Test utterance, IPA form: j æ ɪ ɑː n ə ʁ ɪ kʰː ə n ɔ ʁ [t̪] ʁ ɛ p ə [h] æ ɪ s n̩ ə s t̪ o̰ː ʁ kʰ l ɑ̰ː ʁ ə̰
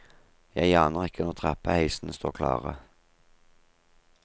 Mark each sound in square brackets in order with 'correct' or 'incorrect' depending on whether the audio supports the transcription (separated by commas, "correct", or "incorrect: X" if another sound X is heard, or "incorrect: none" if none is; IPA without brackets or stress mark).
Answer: incorrect: t̪ʰ, correct